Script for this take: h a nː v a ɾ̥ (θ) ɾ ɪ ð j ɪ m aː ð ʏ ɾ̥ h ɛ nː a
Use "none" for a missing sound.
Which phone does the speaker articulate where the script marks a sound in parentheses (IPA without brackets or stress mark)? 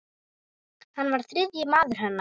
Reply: θ